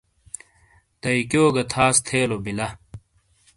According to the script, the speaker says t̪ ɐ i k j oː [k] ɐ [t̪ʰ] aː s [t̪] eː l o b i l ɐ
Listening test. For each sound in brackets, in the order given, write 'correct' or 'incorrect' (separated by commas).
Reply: incorrect, correct, incorrect